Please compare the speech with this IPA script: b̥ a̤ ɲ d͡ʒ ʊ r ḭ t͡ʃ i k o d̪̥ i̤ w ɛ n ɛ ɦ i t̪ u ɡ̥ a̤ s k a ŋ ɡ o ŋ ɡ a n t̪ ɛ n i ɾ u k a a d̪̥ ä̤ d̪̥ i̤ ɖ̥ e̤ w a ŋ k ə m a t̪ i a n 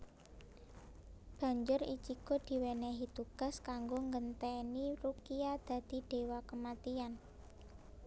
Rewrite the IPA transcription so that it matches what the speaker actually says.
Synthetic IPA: b̥ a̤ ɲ d͡ʒ ʊ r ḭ t͡ʃ i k o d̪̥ i̤ w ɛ n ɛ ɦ i t̪ u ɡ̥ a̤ s k a ŋ ɡ o ŋ ɡ ə n t̪ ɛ n i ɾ u k i a d̪̥ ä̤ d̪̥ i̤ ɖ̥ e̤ w a k ə m a t̪ i a n